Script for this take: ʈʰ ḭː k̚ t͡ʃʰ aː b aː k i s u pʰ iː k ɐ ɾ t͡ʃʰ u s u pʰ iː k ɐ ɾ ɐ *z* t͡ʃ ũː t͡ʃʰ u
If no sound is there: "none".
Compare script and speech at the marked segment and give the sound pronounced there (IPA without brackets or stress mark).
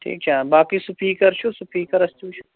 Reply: s